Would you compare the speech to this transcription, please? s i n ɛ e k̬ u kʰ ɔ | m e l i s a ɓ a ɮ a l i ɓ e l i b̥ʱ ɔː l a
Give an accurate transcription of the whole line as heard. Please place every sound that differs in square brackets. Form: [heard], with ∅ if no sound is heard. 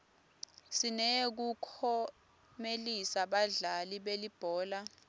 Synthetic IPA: s i n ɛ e k̬ u kʰ ɔ | m e l i s a ɓ a ɮ a l i ɓ e l i b̥ʱ ɔː l a